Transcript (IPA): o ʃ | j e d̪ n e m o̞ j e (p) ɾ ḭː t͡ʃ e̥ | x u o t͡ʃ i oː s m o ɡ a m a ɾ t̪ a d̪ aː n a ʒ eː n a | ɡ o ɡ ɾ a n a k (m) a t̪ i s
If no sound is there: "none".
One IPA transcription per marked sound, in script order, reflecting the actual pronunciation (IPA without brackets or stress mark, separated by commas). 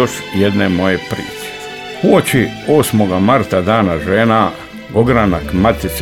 p, m